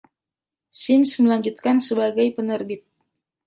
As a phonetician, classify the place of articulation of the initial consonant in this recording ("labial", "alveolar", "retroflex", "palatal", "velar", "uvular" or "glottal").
alveolar